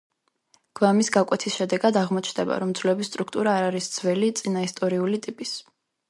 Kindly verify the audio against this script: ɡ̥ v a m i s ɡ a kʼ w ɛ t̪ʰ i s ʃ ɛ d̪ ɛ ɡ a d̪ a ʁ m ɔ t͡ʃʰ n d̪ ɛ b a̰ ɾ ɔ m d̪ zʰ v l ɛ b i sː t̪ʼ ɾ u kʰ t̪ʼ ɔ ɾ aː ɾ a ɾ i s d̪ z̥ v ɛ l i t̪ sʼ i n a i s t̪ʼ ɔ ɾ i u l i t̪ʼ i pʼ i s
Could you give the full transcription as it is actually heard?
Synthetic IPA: ɡ̥ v a m i s ɡ a kʼ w ɛ t̪ʰ i s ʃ ɛ d̪ ɛ ɡ a d̪ a ʁ m ɔ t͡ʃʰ n d̪ ɛ b a̰ ɾ ɔ m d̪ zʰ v l ɛ b i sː t̪ʼ ɾ u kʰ t̪ʼ u ɾ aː ɾ a ɾ i s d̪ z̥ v ɛ l i t̪ sʼ i n a i s t̪ʼ ɔ ɾ i u l i t̪ʼ i pʼ i s